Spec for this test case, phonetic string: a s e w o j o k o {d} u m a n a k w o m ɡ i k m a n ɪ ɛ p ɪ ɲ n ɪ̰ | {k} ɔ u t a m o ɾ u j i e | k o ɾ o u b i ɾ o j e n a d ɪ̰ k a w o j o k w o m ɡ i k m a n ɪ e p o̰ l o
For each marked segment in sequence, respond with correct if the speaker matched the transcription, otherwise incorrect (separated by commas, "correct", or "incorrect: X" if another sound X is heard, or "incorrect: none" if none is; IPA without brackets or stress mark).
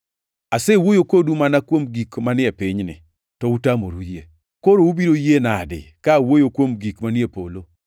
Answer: correct, incorrect: t